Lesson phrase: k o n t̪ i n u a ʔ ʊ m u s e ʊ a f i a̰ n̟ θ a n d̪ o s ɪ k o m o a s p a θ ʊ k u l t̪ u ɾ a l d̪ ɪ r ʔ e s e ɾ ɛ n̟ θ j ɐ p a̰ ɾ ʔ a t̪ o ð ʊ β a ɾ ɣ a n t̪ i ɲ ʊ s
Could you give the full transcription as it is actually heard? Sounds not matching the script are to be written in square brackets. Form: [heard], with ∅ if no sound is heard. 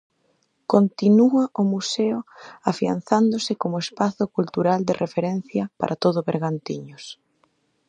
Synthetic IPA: k o n t̪ i n u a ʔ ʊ m u s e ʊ a f i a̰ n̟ θ a n d̪ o s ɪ k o m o [e] s p a θ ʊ k u l t̪ u ɾ a l d̪ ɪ r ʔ e [f] e ɾ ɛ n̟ θ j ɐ p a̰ ɾ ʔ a t̪ o ð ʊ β [e] ɾ ɣ a n t̪ i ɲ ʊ s